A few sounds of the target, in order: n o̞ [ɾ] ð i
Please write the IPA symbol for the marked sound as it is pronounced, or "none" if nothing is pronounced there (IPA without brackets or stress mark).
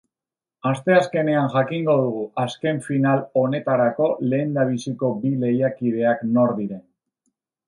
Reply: ɾ